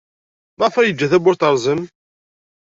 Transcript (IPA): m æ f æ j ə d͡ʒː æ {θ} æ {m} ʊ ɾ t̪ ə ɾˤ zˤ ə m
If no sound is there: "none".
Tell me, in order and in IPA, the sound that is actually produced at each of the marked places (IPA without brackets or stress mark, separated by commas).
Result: θ, b